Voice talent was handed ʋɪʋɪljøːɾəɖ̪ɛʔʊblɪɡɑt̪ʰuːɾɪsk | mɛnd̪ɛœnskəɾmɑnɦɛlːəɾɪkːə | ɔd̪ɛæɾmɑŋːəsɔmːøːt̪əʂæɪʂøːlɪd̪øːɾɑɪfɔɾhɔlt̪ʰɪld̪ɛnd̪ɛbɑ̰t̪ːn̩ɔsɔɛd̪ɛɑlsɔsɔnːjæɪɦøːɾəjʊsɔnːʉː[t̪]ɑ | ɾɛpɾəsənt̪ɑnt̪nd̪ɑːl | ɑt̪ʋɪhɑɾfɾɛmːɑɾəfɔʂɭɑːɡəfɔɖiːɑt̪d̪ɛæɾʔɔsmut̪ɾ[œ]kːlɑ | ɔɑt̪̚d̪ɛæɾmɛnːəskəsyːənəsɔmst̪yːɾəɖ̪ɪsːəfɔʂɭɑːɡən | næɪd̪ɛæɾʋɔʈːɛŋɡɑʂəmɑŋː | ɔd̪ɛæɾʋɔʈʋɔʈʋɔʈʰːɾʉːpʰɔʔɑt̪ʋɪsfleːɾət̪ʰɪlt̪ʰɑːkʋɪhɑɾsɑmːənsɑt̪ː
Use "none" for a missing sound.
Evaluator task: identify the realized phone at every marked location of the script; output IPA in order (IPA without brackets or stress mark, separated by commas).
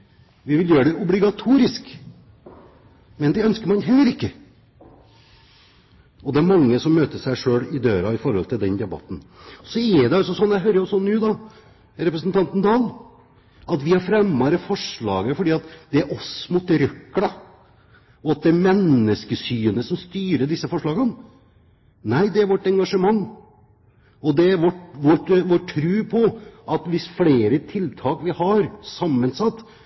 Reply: d̪, œ